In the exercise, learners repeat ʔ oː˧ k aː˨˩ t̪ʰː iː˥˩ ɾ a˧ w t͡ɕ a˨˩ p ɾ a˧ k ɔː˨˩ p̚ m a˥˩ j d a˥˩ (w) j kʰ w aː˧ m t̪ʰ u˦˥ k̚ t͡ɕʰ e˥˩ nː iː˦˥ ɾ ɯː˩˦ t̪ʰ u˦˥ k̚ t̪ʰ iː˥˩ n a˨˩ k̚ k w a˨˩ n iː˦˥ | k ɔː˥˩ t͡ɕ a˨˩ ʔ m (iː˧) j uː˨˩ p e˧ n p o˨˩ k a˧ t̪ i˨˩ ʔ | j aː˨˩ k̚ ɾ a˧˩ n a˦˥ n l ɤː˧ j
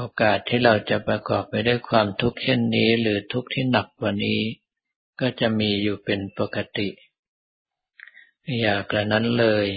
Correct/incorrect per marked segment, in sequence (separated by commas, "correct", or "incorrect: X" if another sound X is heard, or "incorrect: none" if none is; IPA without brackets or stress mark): incorrect: none, correct